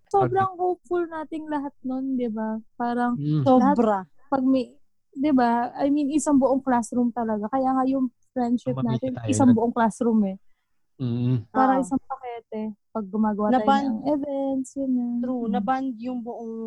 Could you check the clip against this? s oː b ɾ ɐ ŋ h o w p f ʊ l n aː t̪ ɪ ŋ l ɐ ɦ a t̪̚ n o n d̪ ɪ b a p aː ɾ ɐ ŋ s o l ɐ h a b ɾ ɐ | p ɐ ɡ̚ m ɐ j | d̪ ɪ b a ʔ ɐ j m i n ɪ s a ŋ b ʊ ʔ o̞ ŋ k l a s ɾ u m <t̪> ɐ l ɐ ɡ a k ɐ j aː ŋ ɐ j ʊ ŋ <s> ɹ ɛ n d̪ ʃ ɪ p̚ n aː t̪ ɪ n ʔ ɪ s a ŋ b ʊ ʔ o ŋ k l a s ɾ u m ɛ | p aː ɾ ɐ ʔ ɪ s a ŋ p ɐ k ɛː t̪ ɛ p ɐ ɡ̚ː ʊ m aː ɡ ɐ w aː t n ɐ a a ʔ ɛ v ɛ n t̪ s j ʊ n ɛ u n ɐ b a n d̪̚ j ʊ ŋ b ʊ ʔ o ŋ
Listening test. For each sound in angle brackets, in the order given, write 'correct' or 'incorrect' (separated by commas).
correct, incorrect